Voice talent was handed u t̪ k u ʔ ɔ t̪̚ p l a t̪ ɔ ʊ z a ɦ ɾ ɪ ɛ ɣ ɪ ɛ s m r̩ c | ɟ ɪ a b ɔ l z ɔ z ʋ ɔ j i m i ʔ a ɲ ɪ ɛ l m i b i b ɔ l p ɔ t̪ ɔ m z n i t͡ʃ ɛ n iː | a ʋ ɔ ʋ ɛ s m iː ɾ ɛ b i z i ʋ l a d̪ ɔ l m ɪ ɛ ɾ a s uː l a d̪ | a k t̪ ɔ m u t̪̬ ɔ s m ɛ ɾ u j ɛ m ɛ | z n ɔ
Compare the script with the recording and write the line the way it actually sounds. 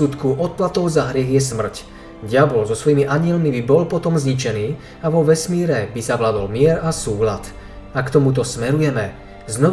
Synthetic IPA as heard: u t̪ k u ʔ ɔ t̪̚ p l a t̪ ɔ ʊ z a ɦ ɾ ɪ ɛ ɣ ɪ ɛ s m r̩ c | ɟ ɪ a b ɔ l z ɔ s ʋ ɔ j i m i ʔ a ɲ ɪ ɛ l m i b i b ɔ l p ɔ t̪ ɔ m z ɲ i t͡ʃ ɛ n iː | a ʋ ɔ ʋ ɛ s m iː ɾ ɛ b i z a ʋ l a d̪ ɔ l m ɪ ɛ ɾ a s uː l a t̪ | a k t̪ ɔ m u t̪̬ ɔ s m ɛ ɾ u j ɛ m ɛ | z n ɔ